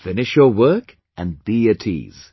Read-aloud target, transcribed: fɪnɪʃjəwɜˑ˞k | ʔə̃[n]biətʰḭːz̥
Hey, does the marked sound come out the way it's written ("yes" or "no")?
yes